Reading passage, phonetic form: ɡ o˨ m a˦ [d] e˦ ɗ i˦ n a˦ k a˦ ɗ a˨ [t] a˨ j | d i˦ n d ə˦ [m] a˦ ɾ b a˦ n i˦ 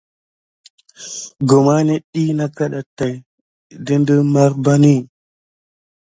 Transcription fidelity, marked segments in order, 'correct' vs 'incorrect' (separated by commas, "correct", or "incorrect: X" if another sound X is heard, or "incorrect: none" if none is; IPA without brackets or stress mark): incorrect: n, correct, correct